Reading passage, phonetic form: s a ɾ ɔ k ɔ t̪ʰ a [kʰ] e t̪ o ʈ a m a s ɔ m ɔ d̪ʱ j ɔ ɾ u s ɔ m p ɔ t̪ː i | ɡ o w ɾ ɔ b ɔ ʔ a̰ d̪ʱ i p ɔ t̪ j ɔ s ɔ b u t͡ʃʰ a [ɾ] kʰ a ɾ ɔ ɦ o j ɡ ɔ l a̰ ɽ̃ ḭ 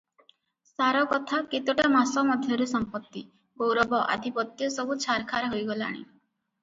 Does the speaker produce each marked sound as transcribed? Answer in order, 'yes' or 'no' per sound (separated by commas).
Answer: no, yes